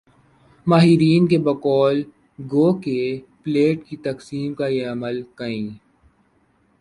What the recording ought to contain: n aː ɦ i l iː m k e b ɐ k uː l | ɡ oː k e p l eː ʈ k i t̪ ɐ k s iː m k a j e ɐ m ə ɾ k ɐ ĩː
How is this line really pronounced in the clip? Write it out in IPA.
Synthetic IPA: m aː ɦ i ɾ iː n k e b ɐ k ɔː l | ɡ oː k e p l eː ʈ k i t̪ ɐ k s iː m k a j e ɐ m ə l k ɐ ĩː